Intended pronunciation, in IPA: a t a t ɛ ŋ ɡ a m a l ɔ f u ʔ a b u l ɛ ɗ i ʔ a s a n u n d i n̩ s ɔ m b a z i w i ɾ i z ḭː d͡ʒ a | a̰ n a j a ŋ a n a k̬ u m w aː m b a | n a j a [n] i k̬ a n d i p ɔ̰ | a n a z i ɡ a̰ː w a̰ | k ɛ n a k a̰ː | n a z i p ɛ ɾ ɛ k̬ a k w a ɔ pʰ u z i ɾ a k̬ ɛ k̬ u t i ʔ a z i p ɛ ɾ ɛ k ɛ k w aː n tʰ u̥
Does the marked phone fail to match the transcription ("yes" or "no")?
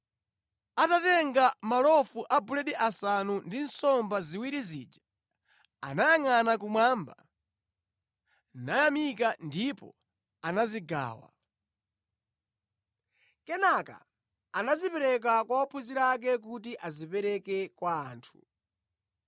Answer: yes